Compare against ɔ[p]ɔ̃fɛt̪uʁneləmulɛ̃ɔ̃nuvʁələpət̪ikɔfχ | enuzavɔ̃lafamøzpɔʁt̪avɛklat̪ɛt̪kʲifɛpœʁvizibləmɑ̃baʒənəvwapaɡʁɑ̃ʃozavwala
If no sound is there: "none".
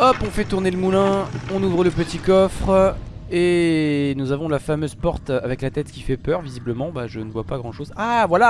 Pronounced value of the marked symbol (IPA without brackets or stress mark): p